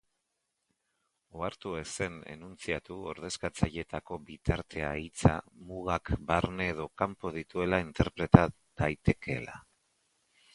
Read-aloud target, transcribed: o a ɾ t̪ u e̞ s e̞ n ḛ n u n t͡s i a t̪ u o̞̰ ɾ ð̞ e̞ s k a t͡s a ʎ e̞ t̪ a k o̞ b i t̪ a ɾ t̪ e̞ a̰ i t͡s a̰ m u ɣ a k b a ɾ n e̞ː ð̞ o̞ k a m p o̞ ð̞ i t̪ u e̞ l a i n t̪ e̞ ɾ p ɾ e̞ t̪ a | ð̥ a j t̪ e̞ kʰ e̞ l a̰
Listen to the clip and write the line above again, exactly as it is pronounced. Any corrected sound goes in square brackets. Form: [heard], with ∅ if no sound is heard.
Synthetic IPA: o a ɾ t̪ u e̞ s e̞ n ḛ n u n t͡s i a t̪ u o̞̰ ɾ ð̞ e̞ s k a t͡s a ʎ e̞ t̪ a k o̞ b i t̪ a ɾ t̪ e̞ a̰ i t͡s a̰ m u ɣ a k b a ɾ n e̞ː ð̞ o̞ k a m p o̞ ð̞ i t̪ u e̞ l a i n t̪ e̞ ɾ p ɾ e̞ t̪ a | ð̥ a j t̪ e̞ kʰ e̞ l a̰